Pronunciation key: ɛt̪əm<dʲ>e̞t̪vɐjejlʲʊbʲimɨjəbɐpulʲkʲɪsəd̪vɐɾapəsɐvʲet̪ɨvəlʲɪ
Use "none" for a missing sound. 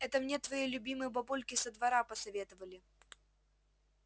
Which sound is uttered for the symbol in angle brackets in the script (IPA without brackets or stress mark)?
nʲ